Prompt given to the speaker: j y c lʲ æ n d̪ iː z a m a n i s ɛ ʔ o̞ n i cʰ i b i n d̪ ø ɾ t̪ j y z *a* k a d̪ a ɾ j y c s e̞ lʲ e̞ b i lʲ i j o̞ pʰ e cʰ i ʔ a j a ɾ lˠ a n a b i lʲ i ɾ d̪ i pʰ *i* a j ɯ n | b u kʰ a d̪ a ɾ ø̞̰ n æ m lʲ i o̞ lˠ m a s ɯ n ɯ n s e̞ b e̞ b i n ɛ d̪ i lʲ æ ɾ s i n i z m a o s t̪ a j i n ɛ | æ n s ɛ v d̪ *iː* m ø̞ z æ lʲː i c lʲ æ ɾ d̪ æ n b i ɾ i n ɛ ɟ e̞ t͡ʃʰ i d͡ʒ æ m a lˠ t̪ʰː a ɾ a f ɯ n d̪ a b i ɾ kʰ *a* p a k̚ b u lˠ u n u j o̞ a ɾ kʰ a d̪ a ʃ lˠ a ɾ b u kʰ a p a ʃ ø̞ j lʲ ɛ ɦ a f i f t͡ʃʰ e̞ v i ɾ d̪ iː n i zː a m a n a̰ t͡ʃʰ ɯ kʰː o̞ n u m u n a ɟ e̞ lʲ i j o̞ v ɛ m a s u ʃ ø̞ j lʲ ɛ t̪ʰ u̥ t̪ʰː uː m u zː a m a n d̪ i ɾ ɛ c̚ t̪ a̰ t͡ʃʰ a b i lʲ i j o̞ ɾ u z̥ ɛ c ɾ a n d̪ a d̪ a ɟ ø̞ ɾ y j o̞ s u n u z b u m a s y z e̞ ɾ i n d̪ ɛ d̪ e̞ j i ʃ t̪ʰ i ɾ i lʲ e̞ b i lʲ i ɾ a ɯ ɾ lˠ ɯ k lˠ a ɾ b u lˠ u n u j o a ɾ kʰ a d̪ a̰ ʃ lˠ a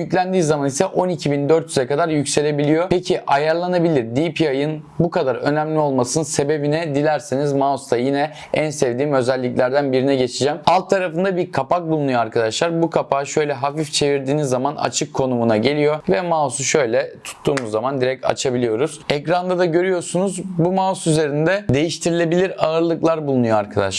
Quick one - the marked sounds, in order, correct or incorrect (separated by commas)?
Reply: incorrect, correct, correct, correct